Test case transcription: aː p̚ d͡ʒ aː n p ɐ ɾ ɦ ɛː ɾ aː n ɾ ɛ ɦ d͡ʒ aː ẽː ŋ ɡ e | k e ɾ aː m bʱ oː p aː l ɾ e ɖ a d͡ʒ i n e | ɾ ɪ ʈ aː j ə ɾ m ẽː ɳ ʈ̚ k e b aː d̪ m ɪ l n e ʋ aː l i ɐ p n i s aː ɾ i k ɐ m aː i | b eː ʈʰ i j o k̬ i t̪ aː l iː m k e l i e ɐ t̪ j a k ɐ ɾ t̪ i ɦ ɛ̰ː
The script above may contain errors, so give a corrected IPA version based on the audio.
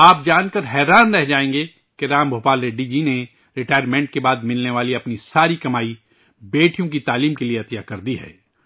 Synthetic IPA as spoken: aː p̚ d͡ʒ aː n k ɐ ɾ ɦ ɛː ɾ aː n ɾ ɛ ɦ d͡ʒ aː ẽː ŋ ɡ e | k e ɾ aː m bʱ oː p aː l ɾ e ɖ i d͡ʒ i n e | ɾ ɪ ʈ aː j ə ɾ m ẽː ɳ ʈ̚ k e b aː d̪ m ɪ l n e ʋ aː l i ɐ p n i s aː ɾ i k ɐ m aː i | b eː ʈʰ i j õ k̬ i t̪ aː l iː m k e l i e ɐ t̪ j a k ɐ ɾ d̪ i ɦ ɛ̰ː

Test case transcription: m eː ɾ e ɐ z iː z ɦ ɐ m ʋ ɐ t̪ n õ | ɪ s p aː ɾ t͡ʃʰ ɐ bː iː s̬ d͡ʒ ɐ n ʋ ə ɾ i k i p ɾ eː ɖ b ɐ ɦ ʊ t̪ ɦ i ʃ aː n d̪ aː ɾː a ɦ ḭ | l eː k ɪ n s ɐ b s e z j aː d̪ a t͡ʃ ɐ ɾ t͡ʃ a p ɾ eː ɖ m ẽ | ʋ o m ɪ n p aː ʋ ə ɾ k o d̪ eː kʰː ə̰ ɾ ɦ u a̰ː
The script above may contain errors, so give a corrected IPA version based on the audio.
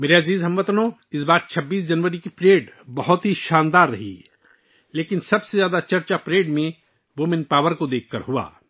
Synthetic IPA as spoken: m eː ɾ e ɐ z iː z ɦ ɐ m ʋ ɐ t̪ n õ | ɪ s b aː ɾ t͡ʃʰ ɐ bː iː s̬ d͡ʒ ɐ n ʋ ə ɾ i k i p ɾ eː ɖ b ɐ ɦ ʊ t̪ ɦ i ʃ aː n d̪ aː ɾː ɐ ɦ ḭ | l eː k ɪ n s ɐ b s e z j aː d̪ a t͡ʃ ɐ ɾ t͡ʃ a p ɾ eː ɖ m ẽ | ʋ o m ɪ n p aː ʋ ə ɾ k o d̪ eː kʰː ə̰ ɾ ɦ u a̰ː

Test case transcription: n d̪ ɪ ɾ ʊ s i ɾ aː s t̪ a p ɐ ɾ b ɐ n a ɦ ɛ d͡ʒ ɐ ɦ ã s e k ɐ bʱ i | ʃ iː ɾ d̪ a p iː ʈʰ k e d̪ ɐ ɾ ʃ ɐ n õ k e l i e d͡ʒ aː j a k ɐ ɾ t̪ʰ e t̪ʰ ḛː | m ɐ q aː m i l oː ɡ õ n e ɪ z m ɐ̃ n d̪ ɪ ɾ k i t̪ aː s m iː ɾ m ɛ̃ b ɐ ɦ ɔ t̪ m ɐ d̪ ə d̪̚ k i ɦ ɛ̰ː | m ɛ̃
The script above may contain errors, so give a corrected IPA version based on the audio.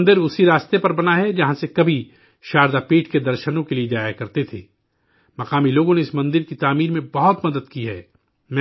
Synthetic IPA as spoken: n d̪ ɪ ɾ ʊ s i ɾ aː s t̪ e p ɐ ɾ b ɐ n a ɦ ɛ d͡ʒ ɐ ɦ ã s e k ɐ bʱ i | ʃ aː ɾ d̪ a p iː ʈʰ k e d̪ ɐ ɾ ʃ ə n õ k e l i e d͡ʒ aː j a k ɐ ɾ t̪ e t̪ʰ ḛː | m ɐ q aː m i l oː ɡ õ n e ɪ s m ɐ̃ n d̪ ɪ ɾ k i t̪ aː m iː ɾ m ẽ b ɐ ɦ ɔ t̪ m ɐ d̪ ə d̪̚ k i ɦ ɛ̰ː | m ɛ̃

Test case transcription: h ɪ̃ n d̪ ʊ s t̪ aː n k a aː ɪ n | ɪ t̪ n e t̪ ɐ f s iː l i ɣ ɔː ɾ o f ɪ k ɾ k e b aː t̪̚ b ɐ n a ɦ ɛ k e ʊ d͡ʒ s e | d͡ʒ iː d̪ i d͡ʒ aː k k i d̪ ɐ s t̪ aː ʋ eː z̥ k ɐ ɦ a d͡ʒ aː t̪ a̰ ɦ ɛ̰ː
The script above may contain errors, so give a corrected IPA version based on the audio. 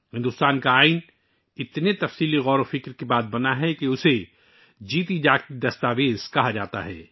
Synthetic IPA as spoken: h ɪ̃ n d̪ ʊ s t̪ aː n k a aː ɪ n | ɪ t̪ n e t̪ ɐ f s iː l i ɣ ɔː ɾ o f ɪ k ɾ k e b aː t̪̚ b ɐ n a ɦ ɛ k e ʊ s e | d͡ʒ iː t̪ i d͡ʒ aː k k i d̪ ɐ s t̪ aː ʋ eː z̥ k ɐ ɦ a d͡ʒ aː t̪ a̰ ɦ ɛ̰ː

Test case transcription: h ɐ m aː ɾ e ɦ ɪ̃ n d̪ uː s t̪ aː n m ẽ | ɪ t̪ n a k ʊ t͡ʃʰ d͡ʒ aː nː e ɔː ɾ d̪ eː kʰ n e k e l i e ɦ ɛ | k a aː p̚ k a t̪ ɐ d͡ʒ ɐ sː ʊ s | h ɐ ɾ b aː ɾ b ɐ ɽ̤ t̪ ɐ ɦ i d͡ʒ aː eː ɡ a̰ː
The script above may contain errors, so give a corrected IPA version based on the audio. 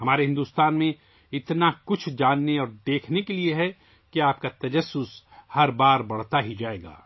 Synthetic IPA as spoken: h ɐ m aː ɾ e ɦ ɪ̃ n d̪ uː s t̪ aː n m ẽ | ɪ t̪ n a k ʊ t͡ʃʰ d͡ʒ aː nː e ɔː ɾ d̪ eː kʰ n e k e l i e ɦ ɛ | k i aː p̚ k a t̪ ɐ d͡ʒ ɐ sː ʊ s | h ɐ ɾ b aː ɾ b ɐ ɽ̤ t̪ a ɦ i d͡ʒ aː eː ɡ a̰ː

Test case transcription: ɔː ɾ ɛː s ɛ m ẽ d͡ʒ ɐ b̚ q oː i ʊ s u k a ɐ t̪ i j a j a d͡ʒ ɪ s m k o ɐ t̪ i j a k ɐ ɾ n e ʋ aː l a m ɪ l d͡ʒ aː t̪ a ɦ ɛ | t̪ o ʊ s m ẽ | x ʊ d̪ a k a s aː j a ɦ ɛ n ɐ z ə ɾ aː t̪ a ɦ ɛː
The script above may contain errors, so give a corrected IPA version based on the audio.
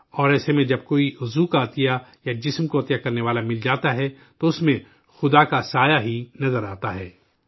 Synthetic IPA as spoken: ɔː ɾ ɛː s e m ẽ d͡ʒ ɐ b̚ k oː i ʊ z u k a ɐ t̪ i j a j a d͡ʒ ɪ s m k o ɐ t̪ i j a k ɐ ɾ n e ʋ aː l a m ɪ l d͡ʒ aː t̪ a ɦ ɛ | t̪ o ʊ s m ẽ | x ʊ d̪ a k a s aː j a ɦ i n ɐ z ə ɾ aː t̪ a ɦ ɛː

